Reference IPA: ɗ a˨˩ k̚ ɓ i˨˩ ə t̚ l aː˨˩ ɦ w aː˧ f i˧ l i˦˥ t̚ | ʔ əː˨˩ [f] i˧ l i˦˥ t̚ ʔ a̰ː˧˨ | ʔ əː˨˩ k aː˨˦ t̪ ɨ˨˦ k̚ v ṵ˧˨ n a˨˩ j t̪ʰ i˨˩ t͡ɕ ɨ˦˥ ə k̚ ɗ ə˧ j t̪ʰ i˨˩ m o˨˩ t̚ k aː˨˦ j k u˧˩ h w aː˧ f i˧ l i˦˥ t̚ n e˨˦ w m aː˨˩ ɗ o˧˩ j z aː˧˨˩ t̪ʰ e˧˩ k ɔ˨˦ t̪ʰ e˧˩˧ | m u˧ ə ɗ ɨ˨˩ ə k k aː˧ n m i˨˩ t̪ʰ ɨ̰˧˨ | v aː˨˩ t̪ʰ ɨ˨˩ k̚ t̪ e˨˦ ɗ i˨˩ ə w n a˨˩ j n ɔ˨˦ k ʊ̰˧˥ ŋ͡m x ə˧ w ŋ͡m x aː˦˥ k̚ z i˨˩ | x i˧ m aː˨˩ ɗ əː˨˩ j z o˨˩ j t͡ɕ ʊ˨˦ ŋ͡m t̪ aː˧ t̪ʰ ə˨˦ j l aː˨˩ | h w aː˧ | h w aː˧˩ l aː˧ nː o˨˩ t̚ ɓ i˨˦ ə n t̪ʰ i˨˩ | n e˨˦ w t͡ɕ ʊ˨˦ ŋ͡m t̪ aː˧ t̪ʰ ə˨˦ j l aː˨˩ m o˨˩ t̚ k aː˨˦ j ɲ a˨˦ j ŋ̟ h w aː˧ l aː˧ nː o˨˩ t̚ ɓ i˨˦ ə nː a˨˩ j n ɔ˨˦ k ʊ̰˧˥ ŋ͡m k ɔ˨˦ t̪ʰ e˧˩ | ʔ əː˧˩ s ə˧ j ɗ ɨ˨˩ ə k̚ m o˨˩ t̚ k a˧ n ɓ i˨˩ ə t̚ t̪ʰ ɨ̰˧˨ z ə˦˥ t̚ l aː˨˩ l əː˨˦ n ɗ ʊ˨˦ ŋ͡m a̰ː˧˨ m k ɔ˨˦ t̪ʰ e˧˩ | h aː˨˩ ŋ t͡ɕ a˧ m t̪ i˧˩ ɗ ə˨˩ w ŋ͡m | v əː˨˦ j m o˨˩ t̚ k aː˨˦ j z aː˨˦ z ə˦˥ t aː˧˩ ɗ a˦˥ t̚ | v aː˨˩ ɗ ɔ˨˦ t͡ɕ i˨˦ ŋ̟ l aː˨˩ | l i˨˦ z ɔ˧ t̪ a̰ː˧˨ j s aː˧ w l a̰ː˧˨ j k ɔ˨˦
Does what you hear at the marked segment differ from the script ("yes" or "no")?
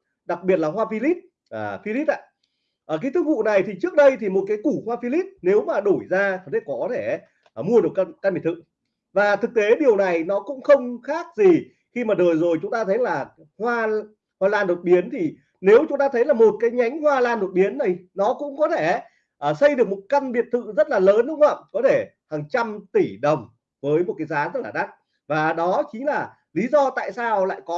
no